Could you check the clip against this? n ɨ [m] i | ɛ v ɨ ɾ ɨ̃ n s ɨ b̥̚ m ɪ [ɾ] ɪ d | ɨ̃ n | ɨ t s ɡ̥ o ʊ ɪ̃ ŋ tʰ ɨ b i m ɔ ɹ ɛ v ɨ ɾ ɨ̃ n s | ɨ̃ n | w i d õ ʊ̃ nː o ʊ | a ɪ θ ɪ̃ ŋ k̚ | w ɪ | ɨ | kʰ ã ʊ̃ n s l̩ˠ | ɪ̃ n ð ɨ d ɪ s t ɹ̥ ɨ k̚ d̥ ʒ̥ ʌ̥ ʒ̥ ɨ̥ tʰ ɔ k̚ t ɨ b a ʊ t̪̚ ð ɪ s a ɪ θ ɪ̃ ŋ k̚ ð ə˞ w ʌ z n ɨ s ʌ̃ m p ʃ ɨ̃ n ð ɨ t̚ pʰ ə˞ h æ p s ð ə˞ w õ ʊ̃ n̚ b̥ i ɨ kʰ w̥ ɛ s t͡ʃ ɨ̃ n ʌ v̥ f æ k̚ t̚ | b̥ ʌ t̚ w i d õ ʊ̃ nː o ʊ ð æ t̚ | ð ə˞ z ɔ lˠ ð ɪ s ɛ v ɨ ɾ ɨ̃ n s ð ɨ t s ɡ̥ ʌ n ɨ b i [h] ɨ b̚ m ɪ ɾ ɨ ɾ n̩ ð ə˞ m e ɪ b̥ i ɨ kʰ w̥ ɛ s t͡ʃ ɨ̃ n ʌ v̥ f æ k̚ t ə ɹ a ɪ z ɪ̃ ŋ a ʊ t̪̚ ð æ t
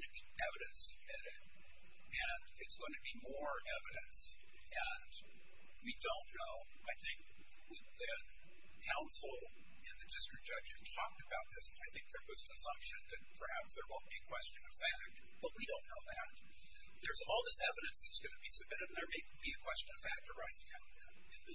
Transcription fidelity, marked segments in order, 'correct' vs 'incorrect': incorrect: b, correct, incorrect: s

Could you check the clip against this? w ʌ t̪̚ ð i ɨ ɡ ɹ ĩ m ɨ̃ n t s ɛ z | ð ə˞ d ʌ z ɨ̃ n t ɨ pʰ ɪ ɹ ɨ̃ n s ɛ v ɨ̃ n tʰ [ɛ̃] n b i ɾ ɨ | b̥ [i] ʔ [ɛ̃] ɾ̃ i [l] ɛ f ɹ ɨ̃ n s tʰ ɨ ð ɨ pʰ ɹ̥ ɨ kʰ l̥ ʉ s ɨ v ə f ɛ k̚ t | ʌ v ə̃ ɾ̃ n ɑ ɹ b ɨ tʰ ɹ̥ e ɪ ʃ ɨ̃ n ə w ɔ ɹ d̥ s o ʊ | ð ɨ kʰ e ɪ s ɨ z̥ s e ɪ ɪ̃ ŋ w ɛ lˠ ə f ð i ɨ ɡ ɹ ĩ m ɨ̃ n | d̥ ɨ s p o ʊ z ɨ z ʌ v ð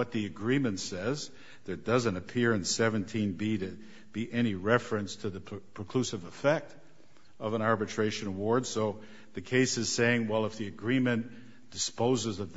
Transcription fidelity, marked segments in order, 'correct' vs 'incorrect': incorrect: ĩ, correct, incorrect: ɛ, incorrect: ɹ

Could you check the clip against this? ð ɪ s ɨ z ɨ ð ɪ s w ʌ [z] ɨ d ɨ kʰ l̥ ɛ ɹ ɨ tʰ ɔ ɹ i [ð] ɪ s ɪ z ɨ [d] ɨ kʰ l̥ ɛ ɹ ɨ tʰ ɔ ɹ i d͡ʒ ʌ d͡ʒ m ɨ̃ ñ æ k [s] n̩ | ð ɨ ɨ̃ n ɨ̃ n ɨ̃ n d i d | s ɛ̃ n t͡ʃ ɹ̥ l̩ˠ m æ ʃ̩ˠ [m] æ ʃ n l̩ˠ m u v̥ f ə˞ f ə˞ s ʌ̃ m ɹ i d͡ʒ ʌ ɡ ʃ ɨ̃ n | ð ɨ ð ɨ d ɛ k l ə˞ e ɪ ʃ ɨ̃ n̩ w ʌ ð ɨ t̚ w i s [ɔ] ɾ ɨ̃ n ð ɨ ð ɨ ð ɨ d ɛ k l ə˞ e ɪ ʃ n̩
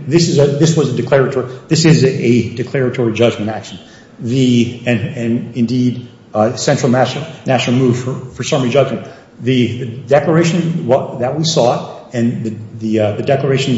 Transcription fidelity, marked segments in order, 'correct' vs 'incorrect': correct, correct, correct, incorrect: ʃ, incorrect: n, correct

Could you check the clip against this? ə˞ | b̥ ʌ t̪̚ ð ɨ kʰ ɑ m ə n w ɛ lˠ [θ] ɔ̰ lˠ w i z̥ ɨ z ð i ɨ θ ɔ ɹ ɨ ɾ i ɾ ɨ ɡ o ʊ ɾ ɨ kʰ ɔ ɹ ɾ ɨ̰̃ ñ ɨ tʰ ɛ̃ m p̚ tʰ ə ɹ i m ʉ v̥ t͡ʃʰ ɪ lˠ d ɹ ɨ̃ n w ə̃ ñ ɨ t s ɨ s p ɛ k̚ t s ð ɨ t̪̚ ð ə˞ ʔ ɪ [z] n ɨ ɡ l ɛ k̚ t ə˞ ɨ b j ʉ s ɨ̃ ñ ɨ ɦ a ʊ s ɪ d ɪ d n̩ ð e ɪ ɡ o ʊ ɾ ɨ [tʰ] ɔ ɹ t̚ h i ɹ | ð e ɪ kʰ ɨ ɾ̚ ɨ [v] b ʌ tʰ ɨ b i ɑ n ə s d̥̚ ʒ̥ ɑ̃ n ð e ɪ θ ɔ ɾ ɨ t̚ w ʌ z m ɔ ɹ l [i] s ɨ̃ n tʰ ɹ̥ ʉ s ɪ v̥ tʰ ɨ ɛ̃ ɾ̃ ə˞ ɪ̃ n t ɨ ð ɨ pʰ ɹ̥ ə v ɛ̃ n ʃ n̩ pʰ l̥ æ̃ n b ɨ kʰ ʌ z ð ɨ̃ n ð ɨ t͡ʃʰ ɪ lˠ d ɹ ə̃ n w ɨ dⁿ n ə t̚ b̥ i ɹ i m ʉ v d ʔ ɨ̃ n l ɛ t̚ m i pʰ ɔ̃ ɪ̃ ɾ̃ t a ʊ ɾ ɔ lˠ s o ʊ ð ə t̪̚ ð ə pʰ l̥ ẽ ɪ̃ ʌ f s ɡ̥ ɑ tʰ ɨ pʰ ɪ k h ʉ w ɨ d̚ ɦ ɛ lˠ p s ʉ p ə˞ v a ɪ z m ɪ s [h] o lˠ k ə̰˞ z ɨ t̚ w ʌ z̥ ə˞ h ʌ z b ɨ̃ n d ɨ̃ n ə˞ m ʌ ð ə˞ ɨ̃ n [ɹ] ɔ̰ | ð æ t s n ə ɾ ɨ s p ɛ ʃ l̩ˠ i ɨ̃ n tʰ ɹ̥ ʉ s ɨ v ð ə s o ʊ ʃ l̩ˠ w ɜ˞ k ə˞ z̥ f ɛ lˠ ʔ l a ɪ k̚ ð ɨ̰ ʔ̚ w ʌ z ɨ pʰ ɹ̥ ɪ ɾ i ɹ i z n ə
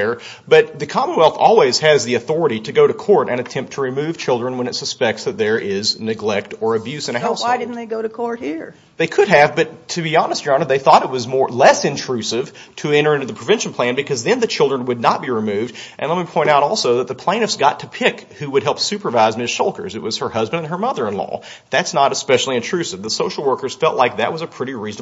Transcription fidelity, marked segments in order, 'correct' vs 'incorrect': correct, correct, incorrect: kʰ, correct, incorrect: ɛ, incorrect: ʃ, incorrect: l

